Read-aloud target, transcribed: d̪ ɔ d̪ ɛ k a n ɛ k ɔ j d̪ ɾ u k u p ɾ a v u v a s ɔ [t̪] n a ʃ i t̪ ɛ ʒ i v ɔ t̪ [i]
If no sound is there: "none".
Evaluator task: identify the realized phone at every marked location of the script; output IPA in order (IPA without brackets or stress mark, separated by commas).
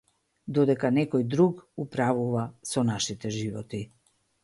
none, i